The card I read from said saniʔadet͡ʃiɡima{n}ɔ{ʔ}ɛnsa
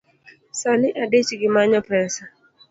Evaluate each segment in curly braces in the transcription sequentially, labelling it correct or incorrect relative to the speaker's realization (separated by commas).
incorrect, incorrect